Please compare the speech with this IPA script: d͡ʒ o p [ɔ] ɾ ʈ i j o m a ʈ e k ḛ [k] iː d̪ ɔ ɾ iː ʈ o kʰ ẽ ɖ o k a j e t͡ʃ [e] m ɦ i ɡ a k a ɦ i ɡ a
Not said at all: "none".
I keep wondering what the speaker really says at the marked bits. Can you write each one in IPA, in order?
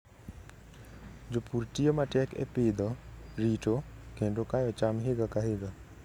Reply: u, p, a

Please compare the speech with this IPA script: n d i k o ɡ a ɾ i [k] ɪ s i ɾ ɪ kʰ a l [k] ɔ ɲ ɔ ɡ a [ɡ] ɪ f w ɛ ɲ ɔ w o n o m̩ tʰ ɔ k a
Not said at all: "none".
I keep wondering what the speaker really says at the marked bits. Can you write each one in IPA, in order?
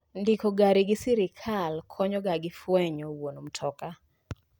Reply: ɡ, kʰ, ɡ

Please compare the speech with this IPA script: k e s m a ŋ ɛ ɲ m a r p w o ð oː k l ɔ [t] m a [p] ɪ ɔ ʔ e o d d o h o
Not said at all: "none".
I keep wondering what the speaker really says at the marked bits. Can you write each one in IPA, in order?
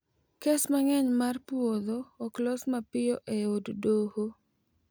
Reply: s, p

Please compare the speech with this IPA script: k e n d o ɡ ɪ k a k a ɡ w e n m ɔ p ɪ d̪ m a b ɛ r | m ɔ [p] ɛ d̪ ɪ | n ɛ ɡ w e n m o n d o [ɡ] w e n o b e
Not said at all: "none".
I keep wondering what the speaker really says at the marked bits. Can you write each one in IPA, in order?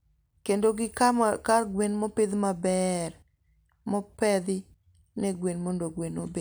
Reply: p, ɡ

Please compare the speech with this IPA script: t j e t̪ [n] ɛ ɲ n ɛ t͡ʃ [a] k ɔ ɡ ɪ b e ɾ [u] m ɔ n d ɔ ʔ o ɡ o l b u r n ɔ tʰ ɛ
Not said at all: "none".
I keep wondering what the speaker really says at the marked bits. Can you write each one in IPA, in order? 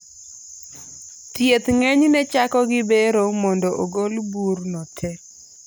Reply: ŋ, a, o

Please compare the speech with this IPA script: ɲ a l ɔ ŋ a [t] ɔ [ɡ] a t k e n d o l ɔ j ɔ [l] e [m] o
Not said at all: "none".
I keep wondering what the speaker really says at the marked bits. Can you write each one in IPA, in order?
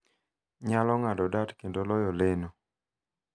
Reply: d, d, l, n

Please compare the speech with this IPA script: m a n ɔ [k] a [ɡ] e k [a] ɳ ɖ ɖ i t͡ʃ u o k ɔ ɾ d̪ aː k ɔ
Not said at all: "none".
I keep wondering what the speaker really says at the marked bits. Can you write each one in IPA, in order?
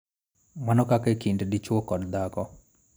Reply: k, k, i

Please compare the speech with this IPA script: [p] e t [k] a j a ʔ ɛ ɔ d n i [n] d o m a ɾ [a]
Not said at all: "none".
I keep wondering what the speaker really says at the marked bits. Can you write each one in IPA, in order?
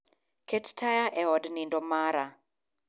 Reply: k, t, n, a

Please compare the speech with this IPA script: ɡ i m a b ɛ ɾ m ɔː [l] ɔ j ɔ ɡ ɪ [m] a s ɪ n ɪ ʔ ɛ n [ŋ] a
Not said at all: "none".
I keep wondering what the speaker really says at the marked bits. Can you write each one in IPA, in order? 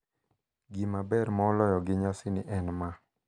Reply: l, ɲ, m

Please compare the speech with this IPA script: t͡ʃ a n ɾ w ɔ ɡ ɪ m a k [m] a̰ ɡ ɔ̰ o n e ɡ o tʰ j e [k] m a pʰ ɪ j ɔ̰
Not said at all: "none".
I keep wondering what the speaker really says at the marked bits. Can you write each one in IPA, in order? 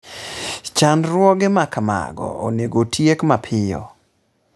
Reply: m, k

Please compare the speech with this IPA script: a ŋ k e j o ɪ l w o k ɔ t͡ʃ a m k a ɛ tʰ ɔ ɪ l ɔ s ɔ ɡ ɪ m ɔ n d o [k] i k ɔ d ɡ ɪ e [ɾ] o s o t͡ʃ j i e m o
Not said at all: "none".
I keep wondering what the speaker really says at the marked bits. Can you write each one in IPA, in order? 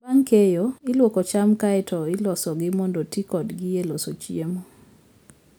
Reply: t, l

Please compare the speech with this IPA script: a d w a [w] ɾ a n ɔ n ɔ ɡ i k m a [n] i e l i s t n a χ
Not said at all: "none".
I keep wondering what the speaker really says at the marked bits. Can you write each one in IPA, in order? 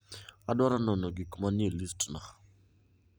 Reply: none, n

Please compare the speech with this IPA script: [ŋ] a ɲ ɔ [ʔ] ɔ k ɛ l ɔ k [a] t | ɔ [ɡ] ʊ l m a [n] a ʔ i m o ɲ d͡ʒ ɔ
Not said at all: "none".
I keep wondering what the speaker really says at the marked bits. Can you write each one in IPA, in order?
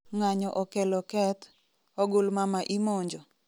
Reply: ŋ, ʔ, ɛ, ɡ, m

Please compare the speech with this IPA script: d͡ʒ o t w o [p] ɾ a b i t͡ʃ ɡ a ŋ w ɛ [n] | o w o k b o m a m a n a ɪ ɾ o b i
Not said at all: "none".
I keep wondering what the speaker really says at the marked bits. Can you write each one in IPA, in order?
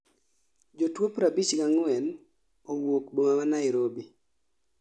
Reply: p, n

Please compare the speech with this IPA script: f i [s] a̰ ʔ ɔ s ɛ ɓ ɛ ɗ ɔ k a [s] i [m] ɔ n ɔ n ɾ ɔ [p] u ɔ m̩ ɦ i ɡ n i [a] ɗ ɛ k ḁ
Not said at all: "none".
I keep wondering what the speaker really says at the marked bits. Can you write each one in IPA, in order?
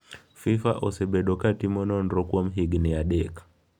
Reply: f, t, m, k, a

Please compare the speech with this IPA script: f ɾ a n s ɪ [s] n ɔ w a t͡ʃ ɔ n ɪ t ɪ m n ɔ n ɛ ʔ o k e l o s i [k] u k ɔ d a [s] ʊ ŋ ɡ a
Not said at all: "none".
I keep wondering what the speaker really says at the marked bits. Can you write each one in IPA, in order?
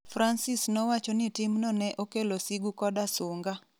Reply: s, ɡ, s

